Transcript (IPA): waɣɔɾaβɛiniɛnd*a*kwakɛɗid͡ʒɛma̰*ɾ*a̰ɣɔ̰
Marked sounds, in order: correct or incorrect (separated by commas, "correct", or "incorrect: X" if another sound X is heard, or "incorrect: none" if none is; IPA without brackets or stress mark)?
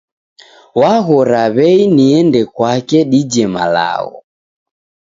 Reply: incorrect: ɛ, incorrect: l